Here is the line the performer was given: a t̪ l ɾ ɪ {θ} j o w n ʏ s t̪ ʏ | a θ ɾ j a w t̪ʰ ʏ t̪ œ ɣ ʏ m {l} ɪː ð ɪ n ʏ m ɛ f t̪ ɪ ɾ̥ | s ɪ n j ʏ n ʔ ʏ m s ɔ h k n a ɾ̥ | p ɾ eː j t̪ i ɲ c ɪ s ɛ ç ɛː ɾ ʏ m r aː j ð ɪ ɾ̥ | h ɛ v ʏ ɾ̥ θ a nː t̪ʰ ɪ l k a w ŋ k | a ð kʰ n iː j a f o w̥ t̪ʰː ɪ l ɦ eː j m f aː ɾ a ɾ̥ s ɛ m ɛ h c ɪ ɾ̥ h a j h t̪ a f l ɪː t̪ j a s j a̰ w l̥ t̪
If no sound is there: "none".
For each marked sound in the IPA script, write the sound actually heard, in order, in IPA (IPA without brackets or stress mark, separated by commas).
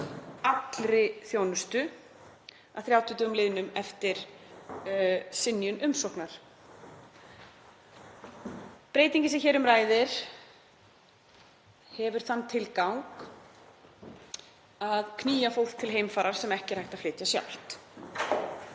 θ, l